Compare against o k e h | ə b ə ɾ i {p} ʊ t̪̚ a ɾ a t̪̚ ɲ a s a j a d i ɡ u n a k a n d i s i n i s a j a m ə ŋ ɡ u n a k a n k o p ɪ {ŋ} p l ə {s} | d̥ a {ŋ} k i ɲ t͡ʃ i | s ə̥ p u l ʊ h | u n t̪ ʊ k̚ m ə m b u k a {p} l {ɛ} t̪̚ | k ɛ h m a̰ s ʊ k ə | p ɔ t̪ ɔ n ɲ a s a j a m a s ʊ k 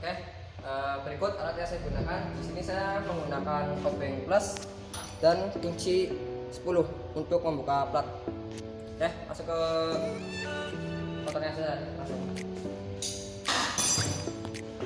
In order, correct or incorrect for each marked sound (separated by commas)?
incorrect, correct, correct, incorrect, correct, incorrect